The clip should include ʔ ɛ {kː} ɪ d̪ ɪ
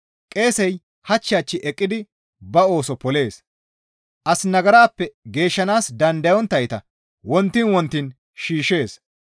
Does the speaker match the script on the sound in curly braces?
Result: no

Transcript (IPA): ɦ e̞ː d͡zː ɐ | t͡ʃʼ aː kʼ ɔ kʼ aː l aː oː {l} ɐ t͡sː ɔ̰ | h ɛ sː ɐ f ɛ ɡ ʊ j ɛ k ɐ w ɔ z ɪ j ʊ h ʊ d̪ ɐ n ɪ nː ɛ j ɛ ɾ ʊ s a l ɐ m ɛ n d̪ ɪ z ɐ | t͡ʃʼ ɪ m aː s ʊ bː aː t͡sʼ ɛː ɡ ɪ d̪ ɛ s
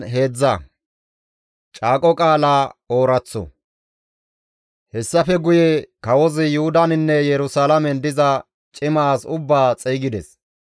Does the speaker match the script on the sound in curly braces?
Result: no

